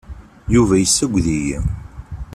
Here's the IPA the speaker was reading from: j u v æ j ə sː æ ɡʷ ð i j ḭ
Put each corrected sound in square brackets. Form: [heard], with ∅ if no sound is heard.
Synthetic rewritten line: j u v æ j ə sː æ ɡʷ ð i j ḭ